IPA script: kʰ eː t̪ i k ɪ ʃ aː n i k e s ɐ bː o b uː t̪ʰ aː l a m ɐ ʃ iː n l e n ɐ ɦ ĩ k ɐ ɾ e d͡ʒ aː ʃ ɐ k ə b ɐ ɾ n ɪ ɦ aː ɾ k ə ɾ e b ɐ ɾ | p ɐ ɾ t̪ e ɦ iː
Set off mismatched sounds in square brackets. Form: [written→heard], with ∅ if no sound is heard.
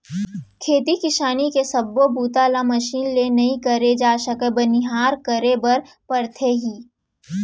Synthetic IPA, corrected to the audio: kʰ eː t̪ i k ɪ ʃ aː n i k e s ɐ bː o b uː [t̪ʰ→t̪] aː l a m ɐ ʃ iː n l e n ɐ ɦ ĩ k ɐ ɾ e d͡ʒ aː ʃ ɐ k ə b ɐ [ɾ→∅] n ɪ ɦ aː ɾ k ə ɾ e b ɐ ɾ | p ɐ ɾ [t̪→t̪ʰ] e ɦ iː